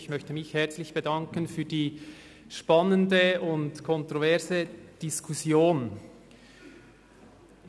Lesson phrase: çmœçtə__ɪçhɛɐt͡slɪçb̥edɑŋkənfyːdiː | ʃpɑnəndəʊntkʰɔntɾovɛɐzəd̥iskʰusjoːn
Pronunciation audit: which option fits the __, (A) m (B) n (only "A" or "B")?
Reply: A